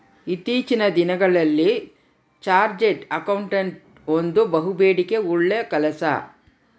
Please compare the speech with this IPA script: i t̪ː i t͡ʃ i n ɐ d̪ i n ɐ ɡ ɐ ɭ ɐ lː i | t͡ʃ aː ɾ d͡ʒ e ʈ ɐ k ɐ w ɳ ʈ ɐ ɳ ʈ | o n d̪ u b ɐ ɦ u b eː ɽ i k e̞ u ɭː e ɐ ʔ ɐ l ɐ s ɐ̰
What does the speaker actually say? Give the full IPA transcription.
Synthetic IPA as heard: i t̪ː iː t͡ʃ i n ɐ d̪ i n ɐ ɡ ɐ ɭ ɐ lː i | t͡ʃ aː ɾ d͡ʒ e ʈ ɐ k ɐ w ɳ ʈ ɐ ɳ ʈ | o n d̪ u b ɐ ɦ u b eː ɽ i k e̞ u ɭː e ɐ k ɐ l ɐ s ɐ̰